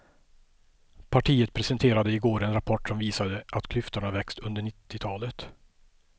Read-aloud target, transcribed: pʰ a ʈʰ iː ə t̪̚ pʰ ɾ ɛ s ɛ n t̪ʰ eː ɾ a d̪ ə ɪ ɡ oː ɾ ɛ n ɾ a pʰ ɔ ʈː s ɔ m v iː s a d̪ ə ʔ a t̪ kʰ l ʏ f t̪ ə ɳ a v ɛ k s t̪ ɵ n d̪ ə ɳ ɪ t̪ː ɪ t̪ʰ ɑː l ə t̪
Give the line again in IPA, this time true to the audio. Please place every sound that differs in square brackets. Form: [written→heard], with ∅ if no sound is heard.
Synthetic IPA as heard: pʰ a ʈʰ iː ə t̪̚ pʰ ɾ ɛ s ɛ n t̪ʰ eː ɾ a d̪ ə ɪ ɡ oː ɾ ɛ n ɾ a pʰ ɔ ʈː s ɔ m v iː s a d̪ ə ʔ a t̪ kʰ l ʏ f t̪ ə ɳ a v ɛ k s t̪ ɵ n d̪ ə ɳ ɪ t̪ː ɪ t̪ʰ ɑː l ə t̪